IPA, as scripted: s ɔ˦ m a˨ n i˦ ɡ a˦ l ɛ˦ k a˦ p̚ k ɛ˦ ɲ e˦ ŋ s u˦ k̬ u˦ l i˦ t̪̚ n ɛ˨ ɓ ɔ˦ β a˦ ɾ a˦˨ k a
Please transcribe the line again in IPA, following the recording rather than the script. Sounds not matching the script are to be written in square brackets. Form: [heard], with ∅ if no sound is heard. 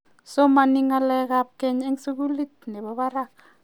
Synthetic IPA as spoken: s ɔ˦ m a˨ n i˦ [ŋ] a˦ l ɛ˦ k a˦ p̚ k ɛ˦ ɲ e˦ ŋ s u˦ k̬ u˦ l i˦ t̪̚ n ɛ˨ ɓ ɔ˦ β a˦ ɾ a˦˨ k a